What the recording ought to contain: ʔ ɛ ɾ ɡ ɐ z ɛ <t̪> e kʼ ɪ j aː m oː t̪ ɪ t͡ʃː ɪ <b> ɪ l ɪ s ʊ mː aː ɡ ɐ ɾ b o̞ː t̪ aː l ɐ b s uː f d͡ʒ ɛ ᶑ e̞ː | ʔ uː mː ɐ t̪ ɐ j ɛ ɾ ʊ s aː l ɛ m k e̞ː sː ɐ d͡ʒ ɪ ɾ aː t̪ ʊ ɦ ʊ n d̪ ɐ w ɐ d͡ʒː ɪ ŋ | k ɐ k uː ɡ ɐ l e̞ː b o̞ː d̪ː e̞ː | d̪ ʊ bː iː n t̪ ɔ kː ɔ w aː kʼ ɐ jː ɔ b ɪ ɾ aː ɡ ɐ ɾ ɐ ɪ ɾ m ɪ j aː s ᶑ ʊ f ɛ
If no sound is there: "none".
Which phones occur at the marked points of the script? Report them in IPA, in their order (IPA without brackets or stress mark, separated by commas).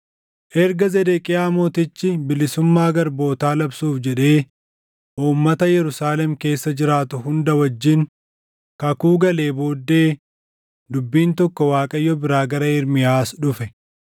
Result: d̪, b